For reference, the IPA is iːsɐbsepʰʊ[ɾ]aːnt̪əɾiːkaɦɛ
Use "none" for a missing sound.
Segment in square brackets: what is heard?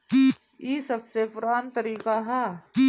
ɾ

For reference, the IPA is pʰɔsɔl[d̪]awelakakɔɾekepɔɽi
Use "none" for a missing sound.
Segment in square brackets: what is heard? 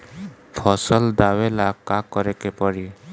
d̪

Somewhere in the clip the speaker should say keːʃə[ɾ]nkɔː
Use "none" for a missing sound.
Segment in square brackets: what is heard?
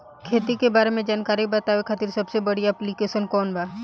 none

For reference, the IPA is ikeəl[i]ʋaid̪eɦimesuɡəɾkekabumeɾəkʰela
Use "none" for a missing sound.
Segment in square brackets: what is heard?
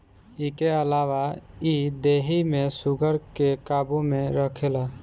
a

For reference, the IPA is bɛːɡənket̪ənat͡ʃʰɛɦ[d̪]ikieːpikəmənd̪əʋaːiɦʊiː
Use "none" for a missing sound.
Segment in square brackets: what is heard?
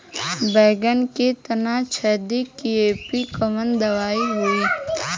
d̪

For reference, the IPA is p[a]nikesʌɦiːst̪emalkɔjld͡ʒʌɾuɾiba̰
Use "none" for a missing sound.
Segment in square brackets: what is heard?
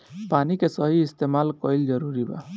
a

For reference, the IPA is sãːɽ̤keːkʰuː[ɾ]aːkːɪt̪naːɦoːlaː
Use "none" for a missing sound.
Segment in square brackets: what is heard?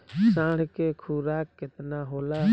ɾ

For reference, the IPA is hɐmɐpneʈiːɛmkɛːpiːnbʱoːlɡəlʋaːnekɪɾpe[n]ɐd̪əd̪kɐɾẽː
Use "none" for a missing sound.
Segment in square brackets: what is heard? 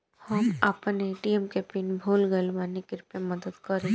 m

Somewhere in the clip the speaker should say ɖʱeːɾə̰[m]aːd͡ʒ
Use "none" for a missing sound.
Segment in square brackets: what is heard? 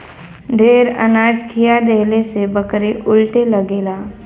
n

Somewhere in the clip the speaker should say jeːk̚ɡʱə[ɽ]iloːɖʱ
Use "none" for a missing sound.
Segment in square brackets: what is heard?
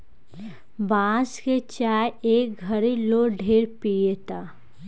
ɾ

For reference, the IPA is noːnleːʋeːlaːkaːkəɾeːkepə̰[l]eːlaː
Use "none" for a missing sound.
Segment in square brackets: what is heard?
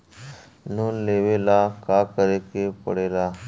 ɽ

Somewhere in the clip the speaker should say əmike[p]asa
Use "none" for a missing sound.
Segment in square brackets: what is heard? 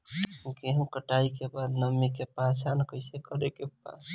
p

